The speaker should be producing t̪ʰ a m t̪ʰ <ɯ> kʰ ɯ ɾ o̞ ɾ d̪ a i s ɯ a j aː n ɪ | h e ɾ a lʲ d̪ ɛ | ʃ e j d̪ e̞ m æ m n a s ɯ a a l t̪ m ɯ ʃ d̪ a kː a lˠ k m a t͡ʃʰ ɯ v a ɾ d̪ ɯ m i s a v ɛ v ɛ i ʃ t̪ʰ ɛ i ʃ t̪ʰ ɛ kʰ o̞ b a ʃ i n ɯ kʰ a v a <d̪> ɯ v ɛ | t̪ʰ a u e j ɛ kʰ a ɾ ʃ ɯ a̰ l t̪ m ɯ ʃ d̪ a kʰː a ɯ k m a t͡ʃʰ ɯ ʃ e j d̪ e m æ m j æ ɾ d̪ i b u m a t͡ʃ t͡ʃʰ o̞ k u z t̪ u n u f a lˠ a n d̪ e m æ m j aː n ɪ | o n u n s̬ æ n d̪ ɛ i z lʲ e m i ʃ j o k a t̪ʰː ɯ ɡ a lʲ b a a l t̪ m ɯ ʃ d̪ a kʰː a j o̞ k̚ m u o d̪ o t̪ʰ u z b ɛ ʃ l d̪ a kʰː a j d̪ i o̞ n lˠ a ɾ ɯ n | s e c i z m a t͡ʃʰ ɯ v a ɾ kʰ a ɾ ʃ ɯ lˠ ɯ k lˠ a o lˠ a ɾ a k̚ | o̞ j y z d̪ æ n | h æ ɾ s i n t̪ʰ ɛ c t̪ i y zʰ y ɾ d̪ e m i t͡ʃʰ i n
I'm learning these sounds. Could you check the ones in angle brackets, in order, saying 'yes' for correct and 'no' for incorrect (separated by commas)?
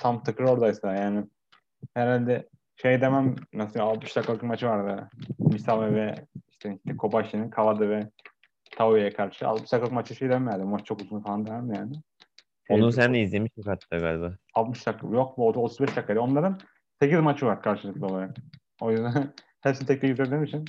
yes, yes